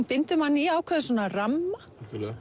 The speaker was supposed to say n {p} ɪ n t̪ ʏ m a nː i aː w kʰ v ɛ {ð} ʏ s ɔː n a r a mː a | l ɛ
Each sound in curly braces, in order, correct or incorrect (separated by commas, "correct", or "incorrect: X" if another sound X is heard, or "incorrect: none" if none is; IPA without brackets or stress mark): correct, correct